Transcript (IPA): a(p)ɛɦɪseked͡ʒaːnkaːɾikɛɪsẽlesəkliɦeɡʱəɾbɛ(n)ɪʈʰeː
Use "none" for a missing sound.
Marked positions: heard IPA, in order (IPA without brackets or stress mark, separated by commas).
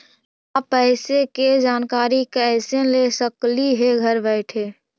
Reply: p, none